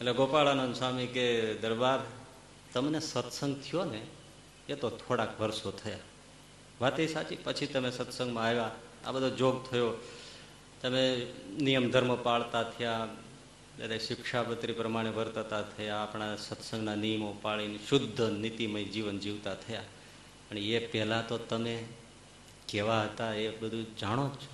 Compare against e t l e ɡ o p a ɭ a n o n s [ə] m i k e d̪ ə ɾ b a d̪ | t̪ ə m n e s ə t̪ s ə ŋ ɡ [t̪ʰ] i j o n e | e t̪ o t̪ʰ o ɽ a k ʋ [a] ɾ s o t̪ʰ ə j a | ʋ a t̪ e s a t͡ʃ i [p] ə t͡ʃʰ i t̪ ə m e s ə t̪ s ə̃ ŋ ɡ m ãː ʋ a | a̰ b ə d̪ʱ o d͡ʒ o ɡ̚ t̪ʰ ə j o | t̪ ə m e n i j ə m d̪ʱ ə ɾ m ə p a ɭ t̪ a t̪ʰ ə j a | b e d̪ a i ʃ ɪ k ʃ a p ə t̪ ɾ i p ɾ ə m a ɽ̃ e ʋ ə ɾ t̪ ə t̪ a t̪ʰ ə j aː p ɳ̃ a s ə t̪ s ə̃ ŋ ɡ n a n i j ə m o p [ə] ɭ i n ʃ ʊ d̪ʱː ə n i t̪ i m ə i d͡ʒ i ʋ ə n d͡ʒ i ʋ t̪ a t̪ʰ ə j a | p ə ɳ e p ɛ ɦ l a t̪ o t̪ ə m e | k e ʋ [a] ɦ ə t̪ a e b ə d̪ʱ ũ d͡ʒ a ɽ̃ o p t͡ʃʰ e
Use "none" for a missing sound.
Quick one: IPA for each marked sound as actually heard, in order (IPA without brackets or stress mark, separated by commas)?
a, t̪ʰ, ə, p, a, a